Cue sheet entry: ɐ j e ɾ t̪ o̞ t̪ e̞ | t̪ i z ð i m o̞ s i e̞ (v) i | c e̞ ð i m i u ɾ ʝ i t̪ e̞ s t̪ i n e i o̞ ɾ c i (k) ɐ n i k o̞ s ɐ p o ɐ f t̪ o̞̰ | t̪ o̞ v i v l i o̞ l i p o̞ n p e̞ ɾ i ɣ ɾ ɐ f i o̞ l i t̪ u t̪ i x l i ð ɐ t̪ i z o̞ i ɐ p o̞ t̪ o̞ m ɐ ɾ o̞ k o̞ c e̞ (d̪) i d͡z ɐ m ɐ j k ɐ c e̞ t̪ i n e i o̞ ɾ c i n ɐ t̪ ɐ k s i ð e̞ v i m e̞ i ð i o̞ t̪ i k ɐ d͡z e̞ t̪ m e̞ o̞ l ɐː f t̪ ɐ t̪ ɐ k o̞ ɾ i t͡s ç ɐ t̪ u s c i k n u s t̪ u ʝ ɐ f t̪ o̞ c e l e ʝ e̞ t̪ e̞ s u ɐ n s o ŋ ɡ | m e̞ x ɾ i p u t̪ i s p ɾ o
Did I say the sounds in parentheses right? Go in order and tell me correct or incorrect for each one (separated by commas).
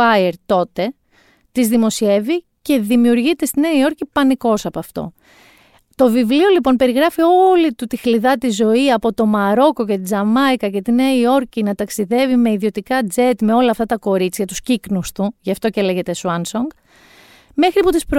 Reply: correct, incorrect, incorrect